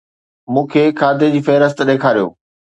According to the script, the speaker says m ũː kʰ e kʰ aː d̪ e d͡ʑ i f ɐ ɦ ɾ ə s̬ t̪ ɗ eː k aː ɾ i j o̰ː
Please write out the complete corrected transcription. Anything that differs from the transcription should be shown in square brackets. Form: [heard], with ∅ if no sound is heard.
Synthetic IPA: m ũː kʰ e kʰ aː d̪ e d͡ʑ [iː] f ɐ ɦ ɾ ə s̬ t̪ ɗ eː [kʰ] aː ɾ i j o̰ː